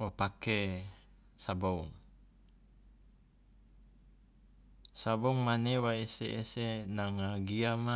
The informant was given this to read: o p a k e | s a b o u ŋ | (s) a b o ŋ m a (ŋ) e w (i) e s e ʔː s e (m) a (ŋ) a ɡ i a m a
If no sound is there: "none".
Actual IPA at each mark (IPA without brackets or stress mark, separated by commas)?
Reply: s, n, a, n, ŋ